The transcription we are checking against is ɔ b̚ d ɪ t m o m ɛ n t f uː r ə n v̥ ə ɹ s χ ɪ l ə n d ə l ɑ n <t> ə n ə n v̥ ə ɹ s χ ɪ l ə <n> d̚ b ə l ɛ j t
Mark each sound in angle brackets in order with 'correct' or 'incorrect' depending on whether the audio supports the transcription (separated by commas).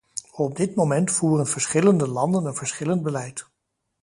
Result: incorrect, correct